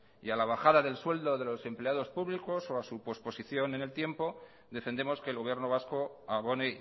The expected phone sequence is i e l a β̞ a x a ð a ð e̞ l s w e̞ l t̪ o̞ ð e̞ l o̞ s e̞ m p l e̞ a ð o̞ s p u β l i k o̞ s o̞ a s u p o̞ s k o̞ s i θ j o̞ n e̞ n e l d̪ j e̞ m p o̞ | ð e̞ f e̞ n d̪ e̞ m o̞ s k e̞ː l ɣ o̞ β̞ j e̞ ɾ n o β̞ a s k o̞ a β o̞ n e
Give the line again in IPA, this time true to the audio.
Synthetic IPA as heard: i a l a β̞ a x a ð a ð e̞ l s w e̞ l d̪ o̞ ð e̞ l o̞ s e̞ m p l e̞ a ð o̞ s p u β l i k o̞ s o̞ a s u p o̞ s p o̞ s i θ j o̞ n e̞ n e l t̪ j e̞ m p o̞ | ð e̞ f e̞ n d̪ e̞ m o̞ s k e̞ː l ɣ o̞ β̞ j e̞ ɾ n o β̞ a s k o̞ a β o̞ n e